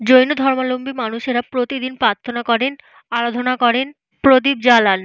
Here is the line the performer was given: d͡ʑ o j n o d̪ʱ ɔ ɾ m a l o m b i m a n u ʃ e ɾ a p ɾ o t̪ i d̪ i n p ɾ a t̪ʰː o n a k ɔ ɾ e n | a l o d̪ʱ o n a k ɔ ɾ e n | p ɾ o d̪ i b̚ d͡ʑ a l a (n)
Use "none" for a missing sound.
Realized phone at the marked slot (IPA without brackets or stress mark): n